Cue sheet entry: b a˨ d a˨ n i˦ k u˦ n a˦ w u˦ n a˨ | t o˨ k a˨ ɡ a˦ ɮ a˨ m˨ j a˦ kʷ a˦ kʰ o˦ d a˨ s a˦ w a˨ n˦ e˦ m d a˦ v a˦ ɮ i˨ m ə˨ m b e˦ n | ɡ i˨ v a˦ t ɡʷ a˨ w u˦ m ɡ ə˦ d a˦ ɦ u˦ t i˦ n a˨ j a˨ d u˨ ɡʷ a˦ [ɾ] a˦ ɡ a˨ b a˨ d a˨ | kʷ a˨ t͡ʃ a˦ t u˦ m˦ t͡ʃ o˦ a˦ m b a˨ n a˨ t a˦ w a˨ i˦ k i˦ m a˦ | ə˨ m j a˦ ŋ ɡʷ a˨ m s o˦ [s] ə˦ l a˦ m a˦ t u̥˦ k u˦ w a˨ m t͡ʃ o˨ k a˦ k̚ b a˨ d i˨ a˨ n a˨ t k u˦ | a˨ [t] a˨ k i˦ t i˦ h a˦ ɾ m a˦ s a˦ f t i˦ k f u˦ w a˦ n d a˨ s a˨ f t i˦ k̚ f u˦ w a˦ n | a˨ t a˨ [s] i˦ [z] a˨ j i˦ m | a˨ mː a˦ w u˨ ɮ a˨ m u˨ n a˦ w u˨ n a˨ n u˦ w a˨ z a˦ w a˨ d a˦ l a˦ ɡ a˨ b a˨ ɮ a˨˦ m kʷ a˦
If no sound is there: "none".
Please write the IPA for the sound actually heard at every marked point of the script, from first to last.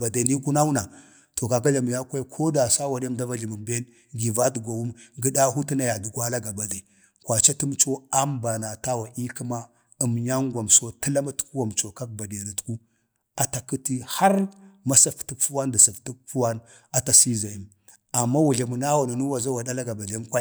l, t, t, s, z

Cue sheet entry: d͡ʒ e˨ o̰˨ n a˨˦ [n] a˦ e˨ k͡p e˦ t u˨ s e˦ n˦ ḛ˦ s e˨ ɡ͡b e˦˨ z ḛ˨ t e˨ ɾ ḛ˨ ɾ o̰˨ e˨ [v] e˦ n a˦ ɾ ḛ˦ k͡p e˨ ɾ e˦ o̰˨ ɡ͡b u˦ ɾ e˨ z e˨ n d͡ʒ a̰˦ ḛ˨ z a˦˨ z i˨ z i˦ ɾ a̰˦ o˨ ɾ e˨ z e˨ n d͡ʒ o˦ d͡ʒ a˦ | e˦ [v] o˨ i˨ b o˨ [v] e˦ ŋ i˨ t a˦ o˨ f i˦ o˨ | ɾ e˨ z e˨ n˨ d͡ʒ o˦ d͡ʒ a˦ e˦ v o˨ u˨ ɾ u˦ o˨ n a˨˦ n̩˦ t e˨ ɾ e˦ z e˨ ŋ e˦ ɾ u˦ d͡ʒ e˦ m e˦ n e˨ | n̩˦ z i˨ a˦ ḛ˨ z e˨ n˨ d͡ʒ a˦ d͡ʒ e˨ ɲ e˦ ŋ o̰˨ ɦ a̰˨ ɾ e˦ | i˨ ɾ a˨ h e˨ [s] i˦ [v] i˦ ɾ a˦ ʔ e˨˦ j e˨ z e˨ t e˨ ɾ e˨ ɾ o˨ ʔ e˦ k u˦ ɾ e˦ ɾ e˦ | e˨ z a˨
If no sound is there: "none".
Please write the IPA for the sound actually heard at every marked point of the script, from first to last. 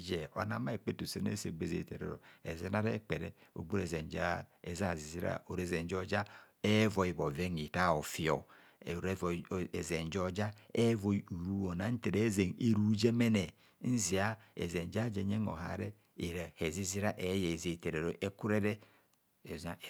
m, z, v, v, z, z

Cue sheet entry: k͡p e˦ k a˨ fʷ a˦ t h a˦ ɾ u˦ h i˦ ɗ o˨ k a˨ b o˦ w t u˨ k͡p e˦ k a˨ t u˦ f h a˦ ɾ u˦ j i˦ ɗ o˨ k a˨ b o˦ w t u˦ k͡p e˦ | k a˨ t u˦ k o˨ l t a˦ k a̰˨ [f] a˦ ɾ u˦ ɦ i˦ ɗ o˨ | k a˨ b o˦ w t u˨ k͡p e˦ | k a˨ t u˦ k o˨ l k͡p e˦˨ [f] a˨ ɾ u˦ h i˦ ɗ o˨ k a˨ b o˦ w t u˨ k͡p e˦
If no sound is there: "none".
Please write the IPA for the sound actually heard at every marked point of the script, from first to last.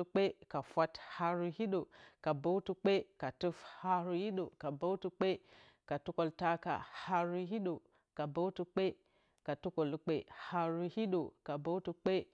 h, h

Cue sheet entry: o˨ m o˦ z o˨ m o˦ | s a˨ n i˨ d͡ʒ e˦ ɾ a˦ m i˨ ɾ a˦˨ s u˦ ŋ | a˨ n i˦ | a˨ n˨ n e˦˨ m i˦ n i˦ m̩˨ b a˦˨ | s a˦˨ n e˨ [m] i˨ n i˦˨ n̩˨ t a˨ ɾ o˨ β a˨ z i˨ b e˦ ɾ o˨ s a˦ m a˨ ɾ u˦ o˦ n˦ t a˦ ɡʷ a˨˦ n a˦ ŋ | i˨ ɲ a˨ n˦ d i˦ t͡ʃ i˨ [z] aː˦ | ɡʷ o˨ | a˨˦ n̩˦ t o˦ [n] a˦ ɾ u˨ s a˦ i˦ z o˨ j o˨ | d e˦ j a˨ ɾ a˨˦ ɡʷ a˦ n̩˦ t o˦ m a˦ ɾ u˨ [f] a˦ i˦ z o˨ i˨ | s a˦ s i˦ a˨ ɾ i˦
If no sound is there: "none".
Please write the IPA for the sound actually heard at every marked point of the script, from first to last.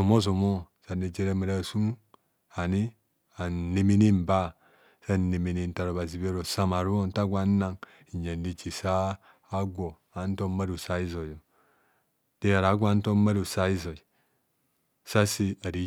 m, s, m, s

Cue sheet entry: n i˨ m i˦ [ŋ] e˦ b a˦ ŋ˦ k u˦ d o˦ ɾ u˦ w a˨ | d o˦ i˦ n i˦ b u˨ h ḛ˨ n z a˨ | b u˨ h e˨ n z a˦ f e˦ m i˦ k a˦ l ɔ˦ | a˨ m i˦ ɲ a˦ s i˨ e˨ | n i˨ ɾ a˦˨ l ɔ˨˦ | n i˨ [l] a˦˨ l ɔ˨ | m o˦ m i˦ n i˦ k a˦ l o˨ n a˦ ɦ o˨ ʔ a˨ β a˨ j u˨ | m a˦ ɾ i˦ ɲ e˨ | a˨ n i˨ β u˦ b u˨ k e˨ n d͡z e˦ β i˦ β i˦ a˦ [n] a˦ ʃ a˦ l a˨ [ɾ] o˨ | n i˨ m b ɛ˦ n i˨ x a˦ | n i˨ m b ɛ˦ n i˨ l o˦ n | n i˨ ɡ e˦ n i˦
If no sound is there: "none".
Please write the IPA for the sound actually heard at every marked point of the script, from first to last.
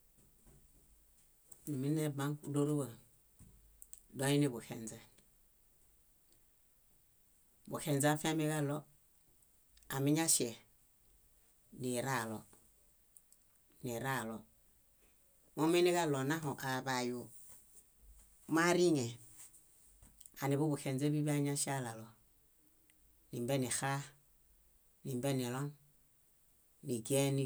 n, ɾ, ɲ, l

